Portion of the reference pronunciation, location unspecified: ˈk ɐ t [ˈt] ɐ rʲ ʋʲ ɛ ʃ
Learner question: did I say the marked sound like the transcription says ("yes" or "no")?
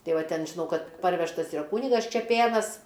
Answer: no